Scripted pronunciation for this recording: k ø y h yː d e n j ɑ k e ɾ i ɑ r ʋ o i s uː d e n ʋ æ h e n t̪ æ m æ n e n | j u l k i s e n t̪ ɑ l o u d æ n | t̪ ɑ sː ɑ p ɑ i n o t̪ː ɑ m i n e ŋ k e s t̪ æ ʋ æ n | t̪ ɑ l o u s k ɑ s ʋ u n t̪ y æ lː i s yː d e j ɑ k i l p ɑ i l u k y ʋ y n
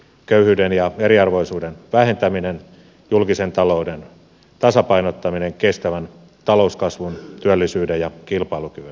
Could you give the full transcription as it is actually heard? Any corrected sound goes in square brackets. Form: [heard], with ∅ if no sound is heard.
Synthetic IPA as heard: k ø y h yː d e n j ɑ [∅] e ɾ i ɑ r ʋ o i s uː d e n ʋ æ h e n t̪ æ m [i] n e n | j u l k i s e n t̪ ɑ l o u d [e] n | t̪ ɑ [s] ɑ p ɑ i n o t̪ː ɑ m i n e ŋ k e s t̪ æ ʋ æ n | t̪ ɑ l o u s k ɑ s ʋ u n t̪ y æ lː i s yː d e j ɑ k i l p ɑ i l u k y ʋ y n